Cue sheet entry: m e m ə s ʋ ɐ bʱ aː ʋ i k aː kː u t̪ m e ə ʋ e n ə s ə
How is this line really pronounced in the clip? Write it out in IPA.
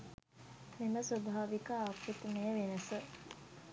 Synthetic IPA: m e m ə s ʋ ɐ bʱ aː ʋ i k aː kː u t̪ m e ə ʋ e n ə s ə